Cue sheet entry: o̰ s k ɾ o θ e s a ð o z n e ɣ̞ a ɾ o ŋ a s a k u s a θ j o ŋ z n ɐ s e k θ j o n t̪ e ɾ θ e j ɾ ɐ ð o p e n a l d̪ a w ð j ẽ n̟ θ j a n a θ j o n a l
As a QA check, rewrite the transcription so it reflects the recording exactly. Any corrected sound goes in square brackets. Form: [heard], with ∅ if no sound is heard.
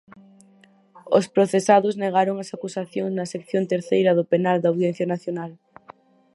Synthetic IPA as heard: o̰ s [p] ɾ o θ e s a ð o z n e ɣ̞ a ɾ o ŋ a s a k u s a θ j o ŋ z n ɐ s e k θ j o n t̪ e ɾ θ e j ɾ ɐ ð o p e n a l d̪ a w ð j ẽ n̟ θ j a n a θ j o n a l